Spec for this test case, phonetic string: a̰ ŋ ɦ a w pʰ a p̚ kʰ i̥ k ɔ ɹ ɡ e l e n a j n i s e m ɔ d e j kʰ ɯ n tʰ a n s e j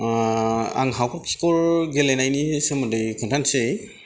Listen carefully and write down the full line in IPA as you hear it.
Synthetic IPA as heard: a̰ ŋ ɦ a w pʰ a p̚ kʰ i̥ k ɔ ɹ ɡ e l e n a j n i s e m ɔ d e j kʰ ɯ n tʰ a n s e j

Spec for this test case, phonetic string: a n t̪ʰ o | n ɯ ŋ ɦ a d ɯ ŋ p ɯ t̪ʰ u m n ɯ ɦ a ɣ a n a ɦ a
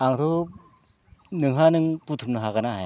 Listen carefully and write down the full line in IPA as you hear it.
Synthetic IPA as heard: a ŋ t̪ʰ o | n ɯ ŋ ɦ a n ɯ ŋ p u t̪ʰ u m n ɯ ɦ a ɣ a n a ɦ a

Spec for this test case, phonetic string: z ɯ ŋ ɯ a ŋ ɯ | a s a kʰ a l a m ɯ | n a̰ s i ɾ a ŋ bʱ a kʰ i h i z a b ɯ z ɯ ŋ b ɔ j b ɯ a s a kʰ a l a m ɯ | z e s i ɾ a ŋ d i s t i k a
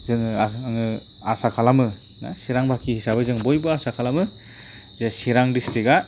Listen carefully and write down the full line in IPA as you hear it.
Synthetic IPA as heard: z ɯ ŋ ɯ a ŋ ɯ | a s a kʰ a l a m ɯ | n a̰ s i ɾ a ŋ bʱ a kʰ i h i s a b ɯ z ɯ ŋ b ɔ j b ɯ a s a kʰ a l a m ɯ | z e s i ɾ a ŋ d i s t i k a

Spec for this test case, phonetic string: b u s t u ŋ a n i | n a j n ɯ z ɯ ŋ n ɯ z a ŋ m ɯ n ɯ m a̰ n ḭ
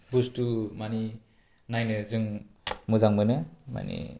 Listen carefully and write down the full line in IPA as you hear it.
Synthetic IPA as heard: b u s t u m a n i | n a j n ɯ z ɯ ŋ m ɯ z a ŋ m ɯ n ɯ m a̰ n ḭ

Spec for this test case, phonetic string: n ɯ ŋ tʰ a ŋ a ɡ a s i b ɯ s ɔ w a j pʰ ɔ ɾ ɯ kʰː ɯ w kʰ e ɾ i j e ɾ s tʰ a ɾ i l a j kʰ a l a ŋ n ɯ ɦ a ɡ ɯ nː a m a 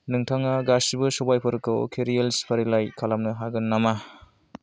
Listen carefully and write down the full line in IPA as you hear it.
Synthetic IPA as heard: n ɯ ŋ tʰ a ŋ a ɡ a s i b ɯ s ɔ b a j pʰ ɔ ɾ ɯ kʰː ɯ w kʰ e ɾ i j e l s pʰ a ɾ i l a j kʰ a l a m n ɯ ɦ a ɡ ɯ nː a m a

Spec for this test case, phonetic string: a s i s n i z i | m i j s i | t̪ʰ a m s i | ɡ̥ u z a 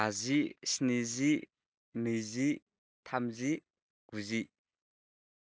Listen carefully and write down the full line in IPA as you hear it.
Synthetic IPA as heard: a z i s n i z i | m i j z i | t̪ʰ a m z i | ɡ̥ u z i

